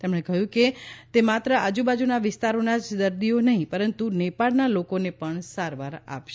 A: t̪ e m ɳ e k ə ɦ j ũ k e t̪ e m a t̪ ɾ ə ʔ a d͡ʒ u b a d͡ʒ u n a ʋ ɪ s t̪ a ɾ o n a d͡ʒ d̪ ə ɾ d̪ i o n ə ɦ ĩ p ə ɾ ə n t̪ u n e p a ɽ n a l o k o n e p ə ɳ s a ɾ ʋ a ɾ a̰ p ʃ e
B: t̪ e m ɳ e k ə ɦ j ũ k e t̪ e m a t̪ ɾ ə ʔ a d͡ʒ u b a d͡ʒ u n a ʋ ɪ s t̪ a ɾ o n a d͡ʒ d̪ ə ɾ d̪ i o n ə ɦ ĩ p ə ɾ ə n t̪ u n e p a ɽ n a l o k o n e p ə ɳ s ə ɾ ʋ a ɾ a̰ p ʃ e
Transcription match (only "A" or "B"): A